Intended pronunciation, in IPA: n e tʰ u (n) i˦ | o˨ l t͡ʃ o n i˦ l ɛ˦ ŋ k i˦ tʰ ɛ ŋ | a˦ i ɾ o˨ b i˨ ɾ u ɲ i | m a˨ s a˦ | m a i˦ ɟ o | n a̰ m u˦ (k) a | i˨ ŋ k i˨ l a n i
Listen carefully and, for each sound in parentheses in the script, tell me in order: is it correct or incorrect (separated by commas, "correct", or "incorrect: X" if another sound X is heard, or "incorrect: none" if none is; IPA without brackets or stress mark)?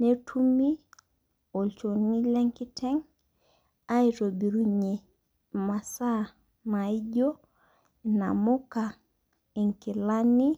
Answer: incorrect: m, correct